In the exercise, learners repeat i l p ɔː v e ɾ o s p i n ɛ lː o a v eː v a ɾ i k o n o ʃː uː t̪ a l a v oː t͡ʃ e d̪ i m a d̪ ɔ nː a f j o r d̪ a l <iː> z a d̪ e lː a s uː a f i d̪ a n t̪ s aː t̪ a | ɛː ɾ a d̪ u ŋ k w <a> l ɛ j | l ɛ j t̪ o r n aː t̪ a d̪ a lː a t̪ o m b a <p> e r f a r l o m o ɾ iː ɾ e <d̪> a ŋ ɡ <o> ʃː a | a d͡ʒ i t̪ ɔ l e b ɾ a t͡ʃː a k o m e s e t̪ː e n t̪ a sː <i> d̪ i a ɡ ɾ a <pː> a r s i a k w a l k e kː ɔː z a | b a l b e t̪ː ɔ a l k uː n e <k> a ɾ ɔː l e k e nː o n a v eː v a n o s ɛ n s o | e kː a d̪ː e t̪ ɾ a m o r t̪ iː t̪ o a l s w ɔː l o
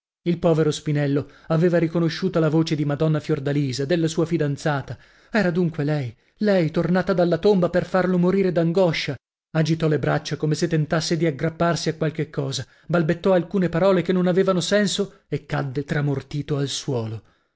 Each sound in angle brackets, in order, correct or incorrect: correct, incorrect: e, correct, correct, incorrect: ɔ, incorrect: e, correct, incorrect: p

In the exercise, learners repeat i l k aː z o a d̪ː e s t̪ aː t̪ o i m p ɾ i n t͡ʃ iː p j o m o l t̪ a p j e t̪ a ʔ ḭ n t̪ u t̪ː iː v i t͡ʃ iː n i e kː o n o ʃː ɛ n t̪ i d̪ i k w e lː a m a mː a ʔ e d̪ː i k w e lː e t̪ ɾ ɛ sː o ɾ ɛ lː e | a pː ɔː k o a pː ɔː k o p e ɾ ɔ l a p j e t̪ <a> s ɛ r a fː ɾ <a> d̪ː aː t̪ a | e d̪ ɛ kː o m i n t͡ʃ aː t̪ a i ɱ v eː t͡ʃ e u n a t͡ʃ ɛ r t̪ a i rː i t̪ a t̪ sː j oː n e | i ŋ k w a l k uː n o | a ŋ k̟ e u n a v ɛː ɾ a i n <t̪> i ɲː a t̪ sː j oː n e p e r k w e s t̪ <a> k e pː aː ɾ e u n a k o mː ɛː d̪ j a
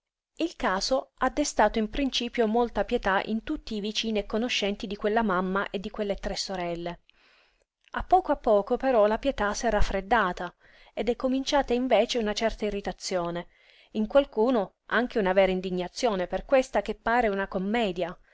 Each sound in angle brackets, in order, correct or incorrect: correct, incorrect: e, incorrect: d̪, correct

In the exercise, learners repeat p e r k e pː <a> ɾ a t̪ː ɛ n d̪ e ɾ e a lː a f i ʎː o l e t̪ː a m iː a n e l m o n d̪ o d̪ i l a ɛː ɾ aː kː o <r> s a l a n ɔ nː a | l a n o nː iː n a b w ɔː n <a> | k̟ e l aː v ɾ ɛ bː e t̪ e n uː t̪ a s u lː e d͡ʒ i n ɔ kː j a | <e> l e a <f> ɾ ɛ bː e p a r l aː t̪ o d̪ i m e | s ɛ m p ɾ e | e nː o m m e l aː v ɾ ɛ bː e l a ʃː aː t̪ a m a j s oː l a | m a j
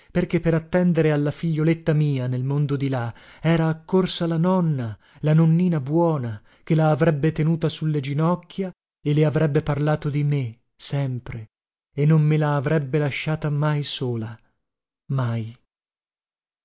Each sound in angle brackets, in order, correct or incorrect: incorrect: e, correct, correct, correct, incorrect: v

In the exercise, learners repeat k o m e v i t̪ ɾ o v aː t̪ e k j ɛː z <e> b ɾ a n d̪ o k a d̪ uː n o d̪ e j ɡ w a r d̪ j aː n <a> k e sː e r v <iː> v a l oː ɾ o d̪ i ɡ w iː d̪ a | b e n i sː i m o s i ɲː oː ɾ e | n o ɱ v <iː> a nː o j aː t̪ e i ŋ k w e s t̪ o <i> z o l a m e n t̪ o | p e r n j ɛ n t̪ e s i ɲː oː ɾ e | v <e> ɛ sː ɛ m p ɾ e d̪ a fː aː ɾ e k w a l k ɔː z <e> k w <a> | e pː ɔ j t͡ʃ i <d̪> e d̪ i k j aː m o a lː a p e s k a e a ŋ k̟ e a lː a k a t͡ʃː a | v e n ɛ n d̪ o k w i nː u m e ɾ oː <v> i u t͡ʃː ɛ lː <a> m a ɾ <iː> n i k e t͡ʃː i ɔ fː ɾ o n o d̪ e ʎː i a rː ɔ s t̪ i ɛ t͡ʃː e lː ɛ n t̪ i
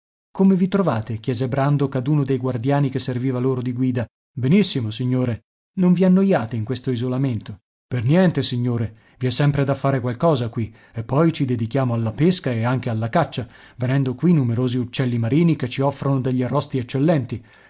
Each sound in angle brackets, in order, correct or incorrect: correct, incorrect: i, correct, incorrect: i, correct, incorrect: i, incorrect: a, incorrect: i, correct, incorrect: z, incorrect: i, correct

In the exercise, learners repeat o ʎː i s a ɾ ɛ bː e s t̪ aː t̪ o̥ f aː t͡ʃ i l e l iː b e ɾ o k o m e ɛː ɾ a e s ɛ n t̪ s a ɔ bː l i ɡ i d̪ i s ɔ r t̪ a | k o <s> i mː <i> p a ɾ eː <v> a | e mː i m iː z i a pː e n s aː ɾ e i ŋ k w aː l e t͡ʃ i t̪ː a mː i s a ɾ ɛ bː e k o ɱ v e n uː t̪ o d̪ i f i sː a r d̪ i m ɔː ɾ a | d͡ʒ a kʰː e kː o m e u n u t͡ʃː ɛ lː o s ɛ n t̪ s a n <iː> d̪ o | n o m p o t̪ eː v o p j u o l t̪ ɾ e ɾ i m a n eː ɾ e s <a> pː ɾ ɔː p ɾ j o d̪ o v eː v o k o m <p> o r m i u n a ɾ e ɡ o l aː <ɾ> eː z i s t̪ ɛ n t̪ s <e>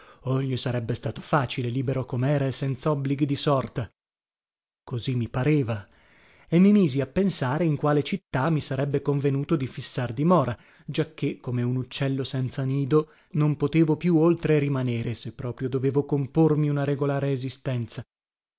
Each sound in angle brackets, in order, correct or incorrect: incorrect: z, correct, correct, correct, incorrect: e, correct, correct, incorrect: a

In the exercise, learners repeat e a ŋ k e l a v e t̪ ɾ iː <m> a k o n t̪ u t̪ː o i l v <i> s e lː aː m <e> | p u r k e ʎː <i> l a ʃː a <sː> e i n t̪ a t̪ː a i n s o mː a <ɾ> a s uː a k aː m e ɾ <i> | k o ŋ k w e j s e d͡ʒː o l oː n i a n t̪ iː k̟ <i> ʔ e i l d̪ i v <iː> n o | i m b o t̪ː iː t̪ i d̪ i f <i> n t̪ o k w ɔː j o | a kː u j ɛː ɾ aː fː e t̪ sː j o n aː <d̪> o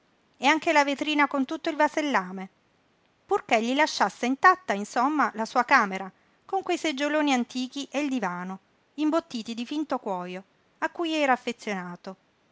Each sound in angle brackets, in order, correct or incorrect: incorrect: n, incorrect: a, correct, correct, correct, incorrect: l, incorrect: a, correct, incorrect: aː, correct, incorrect: t̪

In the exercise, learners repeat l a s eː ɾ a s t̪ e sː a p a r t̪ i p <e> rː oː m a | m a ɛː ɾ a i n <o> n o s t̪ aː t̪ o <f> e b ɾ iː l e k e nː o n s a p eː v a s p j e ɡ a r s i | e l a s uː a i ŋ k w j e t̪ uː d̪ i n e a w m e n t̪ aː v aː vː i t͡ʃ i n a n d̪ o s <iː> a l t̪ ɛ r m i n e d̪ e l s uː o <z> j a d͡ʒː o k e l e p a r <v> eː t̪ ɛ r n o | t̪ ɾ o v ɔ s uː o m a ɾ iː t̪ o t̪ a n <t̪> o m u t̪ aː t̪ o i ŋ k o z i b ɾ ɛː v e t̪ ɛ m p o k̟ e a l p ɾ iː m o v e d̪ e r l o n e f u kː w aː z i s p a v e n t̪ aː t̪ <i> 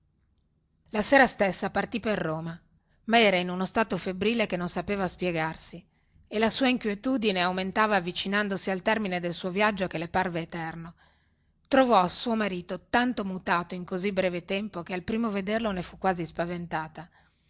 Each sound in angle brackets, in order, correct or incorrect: correct, incorrect: u, correct, incorrect: i, incorrect: v, correct, correct, incorrect: a

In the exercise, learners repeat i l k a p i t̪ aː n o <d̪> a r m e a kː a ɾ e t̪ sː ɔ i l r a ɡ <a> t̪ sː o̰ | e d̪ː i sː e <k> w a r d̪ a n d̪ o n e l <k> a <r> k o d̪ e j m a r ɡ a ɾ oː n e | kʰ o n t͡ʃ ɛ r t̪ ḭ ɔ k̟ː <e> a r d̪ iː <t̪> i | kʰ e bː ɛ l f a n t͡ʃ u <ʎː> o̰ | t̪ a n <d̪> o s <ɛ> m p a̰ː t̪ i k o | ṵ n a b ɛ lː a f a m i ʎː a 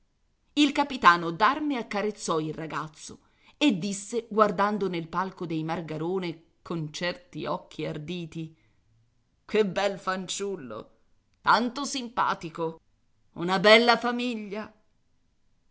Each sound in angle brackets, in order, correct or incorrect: correct, correct, incorrect: ɡ, incorrect: p, incorrect: l, incorrect: i, correct, incorrect: lː, incorrect: t̪, incorrect: i

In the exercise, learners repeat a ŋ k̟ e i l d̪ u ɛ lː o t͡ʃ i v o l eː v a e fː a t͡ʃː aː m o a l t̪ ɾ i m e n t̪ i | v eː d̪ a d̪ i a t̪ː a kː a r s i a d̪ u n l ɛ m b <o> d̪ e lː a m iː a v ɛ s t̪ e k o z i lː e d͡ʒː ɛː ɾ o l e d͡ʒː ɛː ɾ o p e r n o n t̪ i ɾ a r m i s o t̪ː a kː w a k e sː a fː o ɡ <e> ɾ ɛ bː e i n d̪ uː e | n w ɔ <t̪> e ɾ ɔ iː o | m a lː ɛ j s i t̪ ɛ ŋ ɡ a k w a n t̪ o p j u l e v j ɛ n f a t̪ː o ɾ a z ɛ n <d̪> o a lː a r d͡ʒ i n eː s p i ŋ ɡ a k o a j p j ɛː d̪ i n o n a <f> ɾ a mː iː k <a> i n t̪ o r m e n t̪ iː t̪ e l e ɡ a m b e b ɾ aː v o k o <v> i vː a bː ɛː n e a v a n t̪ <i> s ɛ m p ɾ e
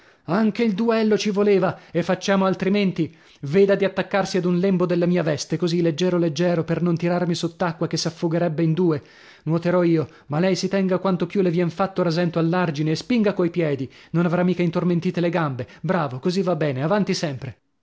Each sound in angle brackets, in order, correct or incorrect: correct, correct, correct, incorrect: t̪, incorrect: v, correct, incorrect: z, correct

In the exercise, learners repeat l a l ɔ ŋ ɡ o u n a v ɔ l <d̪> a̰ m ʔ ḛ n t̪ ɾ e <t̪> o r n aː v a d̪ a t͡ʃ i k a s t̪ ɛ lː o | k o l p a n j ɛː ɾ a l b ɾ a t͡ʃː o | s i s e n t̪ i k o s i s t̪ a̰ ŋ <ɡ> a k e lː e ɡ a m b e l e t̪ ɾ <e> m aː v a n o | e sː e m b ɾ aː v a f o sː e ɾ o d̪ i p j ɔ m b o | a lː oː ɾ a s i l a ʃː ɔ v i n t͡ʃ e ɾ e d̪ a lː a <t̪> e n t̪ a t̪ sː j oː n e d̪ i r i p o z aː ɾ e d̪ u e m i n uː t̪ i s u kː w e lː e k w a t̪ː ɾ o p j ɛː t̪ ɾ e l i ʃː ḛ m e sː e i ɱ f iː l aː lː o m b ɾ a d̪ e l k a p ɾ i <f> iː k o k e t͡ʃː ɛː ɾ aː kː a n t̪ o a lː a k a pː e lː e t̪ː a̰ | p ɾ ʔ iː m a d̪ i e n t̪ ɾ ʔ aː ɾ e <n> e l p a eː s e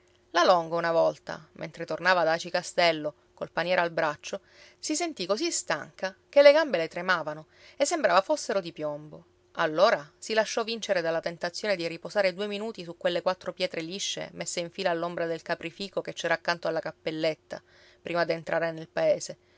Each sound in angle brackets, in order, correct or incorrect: incorrect: t̪, correct, incorrect: k, correct, correct, correct, correct

